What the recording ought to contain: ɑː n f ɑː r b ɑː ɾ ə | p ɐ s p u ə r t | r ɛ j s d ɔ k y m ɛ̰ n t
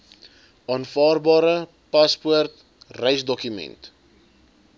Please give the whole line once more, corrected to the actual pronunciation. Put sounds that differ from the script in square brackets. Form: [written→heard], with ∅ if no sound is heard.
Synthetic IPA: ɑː n f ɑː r b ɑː ɾ ə | p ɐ s p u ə r t | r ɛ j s d ɔ k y m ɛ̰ n t

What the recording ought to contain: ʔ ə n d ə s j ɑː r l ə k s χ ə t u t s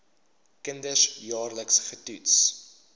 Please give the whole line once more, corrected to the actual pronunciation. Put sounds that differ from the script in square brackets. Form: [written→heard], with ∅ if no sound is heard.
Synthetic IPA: [ʔ→k] ə n d ə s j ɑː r l ə k s χ ə t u t s

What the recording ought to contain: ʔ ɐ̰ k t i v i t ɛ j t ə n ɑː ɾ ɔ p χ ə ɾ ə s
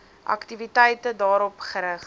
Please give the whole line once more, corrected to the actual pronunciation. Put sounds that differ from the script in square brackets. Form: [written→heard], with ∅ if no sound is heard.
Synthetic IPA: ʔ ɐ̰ k t i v i t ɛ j t ə [n→d] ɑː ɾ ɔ p χ ə ɾ ə [s→χ]

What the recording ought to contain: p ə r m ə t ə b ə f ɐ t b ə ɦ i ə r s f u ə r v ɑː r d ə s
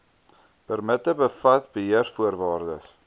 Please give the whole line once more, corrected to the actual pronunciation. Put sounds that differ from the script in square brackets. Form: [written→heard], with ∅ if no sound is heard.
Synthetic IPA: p ə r m ə t ə b ə f ɐ t b ə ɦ i ə r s f u ə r v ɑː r d ə s

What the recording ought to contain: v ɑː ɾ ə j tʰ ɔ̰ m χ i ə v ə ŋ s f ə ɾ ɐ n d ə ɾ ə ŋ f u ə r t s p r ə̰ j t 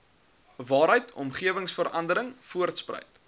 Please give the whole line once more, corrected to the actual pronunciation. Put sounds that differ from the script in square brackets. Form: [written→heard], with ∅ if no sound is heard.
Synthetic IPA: v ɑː ɾ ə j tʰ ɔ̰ m χ i ə v ə ŋ s f ə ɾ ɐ n d ə ɾ ə ŋ f u ə r t s p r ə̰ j t

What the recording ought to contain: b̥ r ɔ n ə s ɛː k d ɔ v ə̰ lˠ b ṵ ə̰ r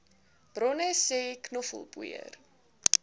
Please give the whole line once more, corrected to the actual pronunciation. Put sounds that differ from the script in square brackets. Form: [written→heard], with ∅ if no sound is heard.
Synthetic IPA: b̥ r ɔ n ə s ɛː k [d→n] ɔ [v→f] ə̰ lˠ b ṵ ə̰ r

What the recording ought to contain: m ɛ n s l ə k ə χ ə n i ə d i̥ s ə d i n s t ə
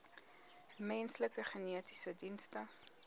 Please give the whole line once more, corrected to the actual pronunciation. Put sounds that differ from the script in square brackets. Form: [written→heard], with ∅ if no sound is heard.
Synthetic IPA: m ɛ n s l ə k ə χ ə n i ə [d→t] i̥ s ə d i n s t ə

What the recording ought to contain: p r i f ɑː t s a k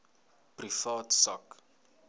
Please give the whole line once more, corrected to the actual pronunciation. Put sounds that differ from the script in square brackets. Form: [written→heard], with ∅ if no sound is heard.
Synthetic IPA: p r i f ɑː t s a k

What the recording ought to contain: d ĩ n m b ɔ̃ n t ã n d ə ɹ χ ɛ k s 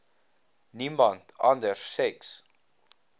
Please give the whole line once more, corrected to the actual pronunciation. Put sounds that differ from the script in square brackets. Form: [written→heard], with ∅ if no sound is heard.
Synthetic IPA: [d→n] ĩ [n→∅] m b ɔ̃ n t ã n d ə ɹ [χ→s] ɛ k s

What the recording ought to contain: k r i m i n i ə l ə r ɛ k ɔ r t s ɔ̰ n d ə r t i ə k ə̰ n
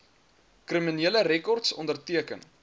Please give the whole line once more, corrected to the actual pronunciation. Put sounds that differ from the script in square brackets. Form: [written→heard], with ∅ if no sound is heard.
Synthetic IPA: k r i m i n i ə l ə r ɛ k ɔ r t s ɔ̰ n d ə r t i ə k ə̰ n

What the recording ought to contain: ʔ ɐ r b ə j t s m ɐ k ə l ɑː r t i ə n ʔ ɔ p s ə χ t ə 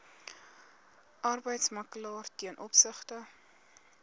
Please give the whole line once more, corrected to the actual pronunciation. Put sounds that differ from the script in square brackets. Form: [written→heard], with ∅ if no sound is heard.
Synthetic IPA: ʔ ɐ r b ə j t s m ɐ k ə l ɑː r t i ə n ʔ ɔ p s ə χ t ə

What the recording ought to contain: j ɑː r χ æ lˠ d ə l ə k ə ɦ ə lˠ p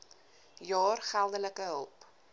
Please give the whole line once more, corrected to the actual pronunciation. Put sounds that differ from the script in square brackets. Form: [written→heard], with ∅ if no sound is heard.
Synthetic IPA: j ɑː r χ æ lˠ d ə l ə k ə ɦ ə lˠ p

